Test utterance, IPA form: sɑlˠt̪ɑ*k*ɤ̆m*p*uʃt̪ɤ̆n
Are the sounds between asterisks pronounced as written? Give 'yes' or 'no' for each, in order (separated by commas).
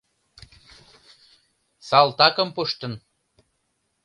yes, yes